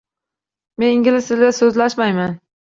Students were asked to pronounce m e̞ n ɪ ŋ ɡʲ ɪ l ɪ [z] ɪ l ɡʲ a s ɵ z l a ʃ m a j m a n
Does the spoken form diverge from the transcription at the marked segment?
yes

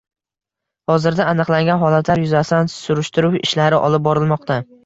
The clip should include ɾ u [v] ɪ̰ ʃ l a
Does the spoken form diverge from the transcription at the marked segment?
yes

